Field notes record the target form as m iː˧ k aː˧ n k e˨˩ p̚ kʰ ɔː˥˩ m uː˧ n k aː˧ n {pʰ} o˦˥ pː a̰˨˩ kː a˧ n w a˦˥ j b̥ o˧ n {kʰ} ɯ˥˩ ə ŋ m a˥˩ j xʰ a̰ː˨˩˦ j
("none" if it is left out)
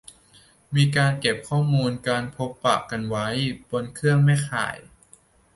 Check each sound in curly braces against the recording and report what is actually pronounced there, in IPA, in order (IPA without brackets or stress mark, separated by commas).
pʰ, kʰ